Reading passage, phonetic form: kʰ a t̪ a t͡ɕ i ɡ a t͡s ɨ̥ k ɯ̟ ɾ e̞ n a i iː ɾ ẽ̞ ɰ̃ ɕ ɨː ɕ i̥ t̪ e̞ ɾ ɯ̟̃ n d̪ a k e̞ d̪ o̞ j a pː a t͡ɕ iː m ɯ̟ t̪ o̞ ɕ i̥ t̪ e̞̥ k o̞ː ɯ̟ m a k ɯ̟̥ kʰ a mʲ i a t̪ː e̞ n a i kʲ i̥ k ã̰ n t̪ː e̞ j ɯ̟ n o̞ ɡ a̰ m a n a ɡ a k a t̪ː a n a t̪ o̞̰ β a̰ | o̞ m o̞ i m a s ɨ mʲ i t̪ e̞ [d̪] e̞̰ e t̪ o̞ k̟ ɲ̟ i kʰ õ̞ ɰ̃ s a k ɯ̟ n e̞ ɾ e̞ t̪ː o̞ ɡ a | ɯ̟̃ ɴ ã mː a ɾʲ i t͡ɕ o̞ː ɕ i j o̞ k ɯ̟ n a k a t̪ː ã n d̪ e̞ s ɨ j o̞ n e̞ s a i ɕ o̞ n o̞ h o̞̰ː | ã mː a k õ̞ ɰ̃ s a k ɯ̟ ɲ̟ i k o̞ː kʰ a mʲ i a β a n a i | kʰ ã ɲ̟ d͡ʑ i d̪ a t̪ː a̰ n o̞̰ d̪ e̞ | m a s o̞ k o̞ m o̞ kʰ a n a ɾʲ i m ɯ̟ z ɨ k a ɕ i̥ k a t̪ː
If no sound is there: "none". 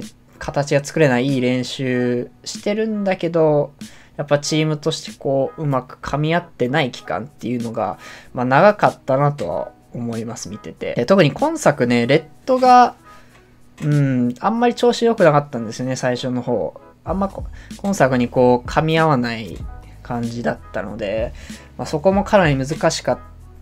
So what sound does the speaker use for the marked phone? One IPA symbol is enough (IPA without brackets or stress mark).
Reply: t̪